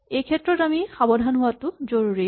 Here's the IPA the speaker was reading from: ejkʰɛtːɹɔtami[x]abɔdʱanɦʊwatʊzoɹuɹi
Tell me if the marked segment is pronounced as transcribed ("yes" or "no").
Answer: yes